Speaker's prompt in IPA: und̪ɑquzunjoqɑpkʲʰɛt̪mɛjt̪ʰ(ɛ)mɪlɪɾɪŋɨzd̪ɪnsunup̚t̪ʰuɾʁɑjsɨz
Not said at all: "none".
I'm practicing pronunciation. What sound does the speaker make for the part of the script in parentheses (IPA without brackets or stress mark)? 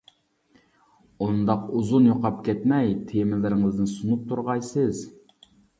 e